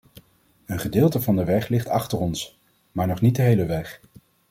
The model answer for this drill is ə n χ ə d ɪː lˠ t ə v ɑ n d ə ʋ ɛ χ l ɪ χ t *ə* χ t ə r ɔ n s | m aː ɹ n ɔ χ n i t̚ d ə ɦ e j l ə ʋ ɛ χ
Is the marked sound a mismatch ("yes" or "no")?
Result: yes